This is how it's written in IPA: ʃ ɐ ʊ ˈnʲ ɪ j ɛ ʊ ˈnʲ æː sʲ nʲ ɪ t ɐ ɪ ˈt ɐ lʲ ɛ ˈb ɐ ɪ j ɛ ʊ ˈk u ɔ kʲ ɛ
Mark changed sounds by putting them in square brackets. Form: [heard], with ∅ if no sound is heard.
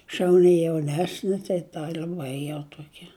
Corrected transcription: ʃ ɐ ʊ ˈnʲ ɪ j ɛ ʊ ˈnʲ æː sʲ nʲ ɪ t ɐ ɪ ˈt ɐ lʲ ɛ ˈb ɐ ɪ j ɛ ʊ [ˈt] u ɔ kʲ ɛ

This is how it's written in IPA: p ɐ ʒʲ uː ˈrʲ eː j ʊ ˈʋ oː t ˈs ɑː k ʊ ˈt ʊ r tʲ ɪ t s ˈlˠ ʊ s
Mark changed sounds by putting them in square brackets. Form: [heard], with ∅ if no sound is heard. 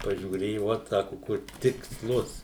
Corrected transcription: p ɐ ʒʲ uː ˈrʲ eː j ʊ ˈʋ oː t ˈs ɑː k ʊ [ˈk] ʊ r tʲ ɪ [k] s ˈlˠ ʊ s

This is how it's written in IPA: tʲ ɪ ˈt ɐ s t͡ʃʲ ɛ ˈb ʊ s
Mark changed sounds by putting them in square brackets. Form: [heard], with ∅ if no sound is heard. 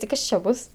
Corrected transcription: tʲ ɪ [ˈk] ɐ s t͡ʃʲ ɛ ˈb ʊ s

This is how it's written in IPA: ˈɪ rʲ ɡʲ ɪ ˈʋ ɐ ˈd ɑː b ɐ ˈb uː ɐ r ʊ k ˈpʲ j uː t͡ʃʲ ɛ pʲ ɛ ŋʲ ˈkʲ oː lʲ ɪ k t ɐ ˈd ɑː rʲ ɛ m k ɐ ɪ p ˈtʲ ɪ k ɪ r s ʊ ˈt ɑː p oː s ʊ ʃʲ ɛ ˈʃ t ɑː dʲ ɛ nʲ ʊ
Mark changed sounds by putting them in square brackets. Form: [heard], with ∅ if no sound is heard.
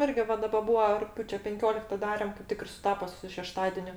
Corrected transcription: ˈɪ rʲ ɡʲ ɪ ˈʋ ɐ ˈd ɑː b ɐ ˈb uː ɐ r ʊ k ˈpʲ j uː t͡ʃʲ ɛ pʲ ɛ ŋʲ ˈkʲ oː lʲ ɪ k t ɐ ˈd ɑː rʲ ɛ m k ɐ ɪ p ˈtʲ ɪ k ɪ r s ʊ ˈt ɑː p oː s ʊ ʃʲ ɛ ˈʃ t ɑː dʲ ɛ nʲ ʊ

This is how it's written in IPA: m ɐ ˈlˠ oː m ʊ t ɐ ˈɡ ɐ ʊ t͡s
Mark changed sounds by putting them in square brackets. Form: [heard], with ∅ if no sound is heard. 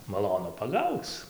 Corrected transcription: m ɐ ˈlˠ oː [n] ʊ [p] ɐ ˈɡ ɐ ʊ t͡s

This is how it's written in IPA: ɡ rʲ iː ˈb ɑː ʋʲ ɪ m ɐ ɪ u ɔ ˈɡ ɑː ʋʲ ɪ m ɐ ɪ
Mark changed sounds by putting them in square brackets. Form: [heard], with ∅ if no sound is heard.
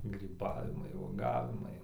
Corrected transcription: ɡ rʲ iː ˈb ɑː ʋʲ ɪ m ɐ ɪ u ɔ ˈɡ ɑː ʋʲ ɪ m ɐ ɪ

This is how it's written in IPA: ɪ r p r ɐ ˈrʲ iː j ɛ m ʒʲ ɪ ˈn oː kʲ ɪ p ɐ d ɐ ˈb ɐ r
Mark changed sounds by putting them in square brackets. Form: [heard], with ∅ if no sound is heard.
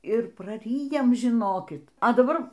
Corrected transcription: ɪ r p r ɐ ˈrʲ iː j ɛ m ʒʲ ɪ ˈn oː kʲ ɪ [t] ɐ d ɐ ˈb ɐ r

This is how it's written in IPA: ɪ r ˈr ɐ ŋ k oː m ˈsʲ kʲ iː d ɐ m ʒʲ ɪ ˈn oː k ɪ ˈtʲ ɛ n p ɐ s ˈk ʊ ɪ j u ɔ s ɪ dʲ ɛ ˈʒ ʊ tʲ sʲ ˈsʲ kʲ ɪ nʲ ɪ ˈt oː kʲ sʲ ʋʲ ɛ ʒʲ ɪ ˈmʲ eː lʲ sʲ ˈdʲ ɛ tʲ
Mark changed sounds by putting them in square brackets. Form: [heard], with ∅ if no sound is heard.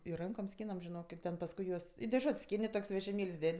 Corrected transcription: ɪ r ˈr ɐ ŋ k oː m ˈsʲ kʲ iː [n] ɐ m ʒʲ ɪ ˈn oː k ɪ ˈtʲ ɛ n p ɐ s ˈk ʊ ɪ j u ɔ s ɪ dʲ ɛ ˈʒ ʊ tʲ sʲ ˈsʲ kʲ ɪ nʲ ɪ ˈt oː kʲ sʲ ʋʲ ɛ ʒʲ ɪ ˈmʲ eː lʲ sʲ ˈdʲ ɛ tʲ

